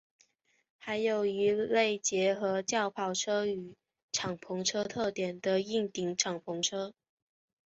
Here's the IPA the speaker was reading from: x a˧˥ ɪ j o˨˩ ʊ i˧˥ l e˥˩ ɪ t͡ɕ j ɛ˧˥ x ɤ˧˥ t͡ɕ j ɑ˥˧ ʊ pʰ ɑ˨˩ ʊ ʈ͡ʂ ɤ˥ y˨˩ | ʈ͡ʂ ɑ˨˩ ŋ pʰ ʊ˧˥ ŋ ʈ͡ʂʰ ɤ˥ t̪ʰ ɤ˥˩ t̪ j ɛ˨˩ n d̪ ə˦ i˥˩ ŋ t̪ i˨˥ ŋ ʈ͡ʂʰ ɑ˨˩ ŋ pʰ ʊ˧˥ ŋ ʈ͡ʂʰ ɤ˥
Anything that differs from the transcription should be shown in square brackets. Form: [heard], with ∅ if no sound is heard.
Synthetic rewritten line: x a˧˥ ɪ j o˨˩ ʊ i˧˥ l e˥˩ ɪ t͡ɕ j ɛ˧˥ x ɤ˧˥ t͡ɕ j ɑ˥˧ ʊ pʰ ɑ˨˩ ʊ [ʈ͡ʂʰ] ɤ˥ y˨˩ | [ʈ͡ʂʰ] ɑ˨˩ ŋ pʰ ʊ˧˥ ŋ ʈ͡ʂʰ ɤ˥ t̪ʰ ɤ˥˩ t̪ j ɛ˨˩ n d̪ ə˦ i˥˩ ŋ t̪ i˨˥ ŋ ʈ͡ʂʰ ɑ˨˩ ŋ pʰ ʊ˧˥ ŋ ʈ͡ʂʰ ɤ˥